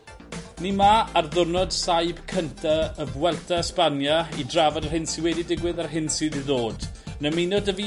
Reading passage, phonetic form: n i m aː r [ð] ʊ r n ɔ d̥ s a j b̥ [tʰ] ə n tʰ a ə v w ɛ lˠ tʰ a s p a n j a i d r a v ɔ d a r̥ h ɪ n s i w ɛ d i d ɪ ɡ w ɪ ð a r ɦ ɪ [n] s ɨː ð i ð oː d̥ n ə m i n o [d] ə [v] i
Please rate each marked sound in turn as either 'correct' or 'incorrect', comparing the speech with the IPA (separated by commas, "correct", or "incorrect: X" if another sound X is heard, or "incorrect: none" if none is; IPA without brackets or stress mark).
correct, incorrect: kʰ, correct, correct, correct